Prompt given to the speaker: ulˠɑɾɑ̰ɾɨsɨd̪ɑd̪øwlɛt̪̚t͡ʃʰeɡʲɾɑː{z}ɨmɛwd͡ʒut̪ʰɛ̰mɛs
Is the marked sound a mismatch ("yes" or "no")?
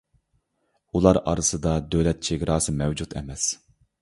yes